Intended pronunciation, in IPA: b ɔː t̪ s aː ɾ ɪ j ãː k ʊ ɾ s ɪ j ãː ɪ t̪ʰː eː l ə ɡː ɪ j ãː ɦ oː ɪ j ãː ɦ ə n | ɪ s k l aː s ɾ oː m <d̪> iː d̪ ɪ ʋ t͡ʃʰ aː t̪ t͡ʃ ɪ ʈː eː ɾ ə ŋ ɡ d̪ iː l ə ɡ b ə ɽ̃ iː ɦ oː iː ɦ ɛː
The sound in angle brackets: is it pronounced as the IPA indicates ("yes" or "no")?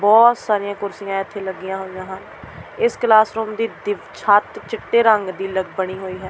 yes